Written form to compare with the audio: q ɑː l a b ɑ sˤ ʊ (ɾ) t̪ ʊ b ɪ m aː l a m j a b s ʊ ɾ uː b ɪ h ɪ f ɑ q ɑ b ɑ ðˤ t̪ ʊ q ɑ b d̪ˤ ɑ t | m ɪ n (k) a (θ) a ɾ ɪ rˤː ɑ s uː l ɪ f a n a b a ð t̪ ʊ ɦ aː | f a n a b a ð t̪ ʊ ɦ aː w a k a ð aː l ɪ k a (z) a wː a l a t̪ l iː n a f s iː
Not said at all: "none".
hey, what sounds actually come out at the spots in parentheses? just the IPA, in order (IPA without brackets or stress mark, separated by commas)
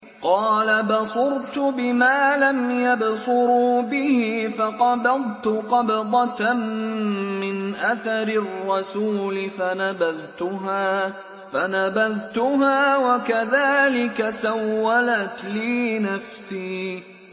ɾ, ʔ, θ, s